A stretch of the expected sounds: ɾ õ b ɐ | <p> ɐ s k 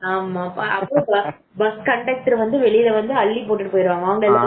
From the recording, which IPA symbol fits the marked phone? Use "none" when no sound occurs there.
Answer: b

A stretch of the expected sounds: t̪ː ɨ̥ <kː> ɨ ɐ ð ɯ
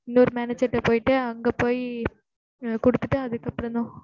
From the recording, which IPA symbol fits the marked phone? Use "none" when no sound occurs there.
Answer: ʈː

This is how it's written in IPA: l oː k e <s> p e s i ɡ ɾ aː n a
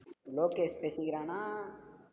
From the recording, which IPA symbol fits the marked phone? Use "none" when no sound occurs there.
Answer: s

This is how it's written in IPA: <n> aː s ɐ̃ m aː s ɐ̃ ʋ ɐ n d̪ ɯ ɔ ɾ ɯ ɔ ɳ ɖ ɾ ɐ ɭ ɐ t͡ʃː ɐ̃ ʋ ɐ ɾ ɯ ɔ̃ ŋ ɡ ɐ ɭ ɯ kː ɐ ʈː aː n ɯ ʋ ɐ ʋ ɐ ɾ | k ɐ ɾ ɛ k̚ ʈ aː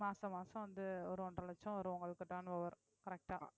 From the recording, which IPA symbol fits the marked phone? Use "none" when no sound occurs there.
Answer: m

